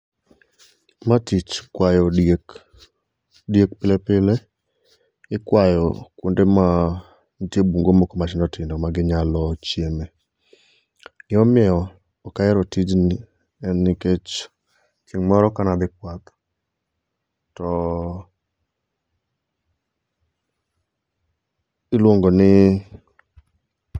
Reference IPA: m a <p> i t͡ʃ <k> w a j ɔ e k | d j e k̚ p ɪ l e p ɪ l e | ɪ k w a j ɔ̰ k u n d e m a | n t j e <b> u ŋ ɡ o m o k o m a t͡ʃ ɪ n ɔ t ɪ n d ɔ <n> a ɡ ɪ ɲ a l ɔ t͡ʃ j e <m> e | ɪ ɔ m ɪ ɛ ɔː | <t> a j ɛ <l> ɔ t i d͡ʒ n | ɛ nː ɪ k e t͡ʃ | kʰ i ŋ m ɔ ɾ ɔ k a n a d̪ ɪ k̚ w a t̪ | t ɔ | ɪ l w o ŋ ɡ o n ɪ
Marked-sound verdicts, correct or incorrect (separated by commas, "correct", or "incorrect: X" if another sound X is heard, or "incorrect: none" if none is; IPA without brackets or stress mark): incorrect: t, correct, correct, incorrect: m, correct, incorrect: k, incorrect: ɾ